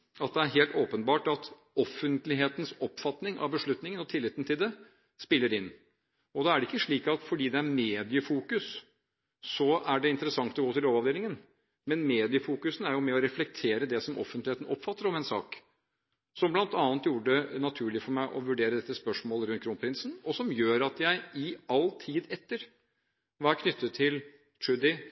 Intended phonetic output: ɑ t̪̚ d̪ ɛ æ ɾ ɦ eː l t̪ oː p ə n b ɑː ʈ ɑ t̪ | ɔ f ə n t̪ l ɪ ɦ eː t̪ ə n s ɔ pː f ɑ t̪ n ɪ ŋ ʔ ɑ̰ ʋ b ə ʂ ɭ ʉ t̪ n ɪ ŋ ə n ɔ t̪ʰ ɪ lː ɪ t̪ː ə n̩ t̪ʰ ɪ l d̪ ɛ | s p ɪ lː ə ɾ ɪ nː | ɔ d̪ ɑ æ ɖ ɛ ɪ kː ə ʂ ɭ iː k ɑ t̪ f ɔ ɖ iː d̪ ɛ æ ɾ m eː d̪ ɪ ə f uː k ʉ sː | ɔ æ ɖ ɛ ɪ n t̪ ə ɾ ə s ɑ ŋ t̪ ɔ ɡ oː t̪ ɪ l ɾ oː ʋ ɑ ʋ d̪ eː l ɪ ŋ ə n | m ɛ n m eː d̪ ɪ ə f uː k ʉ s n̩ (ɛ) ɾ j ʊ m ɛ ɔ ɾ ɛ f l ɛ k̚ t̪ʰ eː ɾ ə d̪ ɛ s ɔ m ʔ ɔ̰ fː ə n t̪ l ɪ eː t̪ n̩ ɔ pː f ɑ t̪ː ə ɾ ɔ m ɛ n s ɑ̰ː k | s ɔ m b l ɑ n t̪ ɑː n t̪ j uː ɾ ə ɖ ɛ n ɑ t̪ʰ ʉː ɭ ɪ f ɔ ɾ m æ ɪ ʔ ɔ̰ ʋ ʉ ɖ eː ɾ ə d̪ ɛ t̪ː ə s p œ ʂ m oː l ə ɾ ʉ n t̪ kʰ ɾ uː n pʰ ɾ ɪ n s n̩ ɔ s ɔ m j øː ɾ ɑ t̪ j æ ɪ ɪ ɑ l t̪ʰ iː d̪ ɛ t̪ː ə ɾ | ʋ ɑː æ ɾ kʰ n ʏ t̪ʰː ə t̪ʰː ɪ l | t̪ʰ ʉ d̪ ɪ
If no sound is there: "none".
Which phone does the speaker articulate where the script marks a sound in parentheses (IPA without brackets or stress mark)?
æ